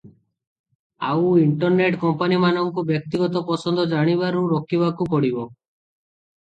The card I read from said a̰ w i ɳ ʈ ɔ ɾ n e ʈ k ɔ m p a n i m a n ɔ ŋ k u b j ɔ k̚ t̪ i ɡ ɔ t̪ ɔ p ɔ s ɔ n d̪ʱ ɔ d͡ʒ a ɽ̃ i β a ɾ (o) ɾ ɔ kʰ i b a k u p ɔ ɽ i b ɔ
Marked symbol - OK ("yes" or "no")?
no